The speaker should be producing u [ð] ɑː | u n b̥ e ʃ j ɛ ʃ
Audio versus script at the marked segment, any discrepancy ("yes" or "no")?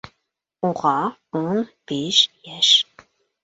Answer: yes